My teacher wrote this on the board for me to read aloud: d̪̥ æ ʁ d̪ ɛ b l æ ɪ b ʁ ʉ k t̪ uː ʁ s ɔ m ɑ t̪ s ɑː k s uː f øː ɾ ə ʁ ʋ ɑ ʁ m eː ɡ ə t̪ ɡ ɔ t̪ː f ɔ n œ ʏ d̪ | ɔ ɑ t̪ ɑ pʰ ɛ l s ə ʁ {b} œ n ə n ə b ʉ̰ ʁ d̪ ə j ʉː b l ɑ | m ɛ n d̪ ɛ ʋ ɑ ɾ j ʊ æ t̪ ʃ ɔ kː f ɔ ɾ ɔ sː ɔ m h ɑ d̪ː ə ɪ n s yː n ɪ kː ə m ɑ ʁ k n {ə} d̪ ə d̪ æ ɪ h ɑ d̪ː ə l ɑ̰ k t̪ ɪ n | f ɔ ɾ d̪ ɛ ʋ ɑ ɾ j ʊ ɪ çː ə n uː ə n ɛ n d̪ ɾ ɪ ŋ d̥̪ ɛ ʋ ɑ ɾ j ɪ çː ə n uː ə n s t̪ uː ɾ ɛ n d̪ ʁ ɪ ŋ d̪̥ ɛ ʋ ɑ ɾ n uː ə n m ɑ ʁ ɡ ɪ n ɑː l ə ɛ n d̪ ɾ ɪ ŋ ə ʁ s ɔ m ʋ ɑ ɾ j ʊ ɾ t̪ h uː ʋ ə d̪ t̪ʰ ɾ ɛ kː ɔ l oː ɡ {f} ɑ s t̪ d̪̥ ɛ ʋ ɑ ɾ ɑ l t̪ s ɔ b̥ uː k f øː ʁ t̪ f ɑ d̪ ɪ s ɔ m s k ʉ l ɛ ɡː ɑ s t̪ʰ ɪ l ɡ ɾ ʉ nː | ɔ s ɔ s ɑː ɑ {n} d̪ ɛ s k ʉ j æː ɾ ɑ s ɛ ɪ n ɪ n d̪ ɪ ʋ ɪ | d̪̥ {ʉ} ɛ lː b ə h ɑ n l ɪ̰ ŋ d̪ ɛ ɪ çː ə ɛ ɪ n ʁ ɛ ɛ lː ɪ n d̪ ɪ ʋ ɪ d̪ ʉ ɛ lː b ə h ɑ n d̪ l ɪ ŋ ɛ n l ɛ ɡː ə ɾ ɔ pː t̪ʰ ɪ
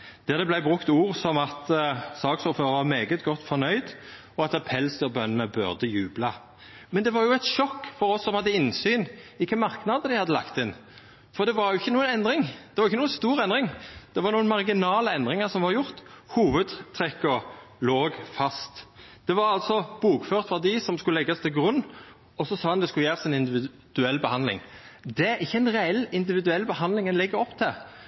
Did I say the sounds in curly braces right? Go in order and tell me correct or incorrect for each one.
correct, incorrect: ɑ, correct, correct, correct

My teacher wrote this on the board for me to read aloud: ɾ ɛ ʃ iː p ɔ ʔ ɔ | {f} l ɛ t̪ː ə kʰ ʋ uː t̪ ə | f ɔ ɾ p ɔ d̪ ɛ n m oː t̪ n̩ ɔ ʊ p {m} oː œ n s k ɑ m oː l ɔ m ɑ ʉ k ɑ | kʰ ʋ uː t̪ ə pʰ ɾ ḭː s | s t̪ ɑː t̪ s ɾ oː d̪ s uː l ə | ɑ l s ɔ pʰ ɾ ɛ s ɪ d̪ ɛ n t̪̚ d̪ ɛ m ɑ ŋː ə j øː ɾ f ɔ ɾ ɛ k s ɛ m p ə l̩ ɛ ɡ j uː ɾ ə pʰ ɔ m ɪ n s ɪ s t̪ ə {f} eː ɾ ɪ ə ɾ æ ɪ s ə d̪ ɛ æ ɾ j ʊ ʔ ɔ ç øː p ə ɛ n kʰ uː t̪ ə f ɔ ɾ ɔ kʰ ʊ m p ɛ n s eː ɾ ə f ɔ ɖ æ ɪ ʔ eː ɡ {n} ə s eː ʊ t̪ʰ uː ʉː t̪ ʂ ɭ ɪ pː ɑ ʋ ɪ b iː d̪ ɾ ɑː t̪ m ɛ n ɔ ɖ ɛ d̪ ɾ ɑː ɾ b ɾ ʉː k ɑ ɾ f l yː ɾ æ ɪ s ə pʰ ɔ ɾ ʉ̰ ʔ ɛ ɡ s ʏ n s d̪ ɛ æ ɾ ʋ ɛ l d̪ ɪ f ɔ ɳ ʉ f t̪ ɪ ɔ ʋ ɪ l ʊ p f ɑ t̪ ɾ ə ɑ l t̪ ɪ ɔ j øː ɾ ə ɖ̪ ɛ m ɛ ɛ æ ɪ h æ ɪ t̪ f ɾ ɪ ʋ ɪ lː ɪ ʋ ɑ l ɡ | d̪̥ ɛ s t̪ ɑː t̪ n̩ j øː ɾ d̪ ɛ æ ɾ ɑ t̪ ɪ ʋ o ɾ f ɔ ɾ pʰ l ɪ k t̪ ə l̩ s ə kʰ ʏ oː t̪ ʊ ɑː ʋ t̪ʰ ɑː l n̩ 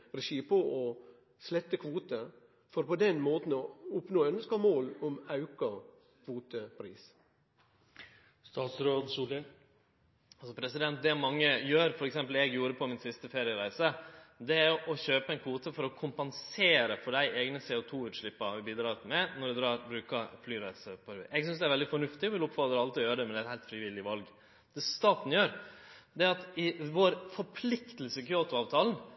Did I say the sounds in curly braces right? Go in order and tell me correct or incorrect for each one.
incorrect: s, incorrect: n, correct, correct

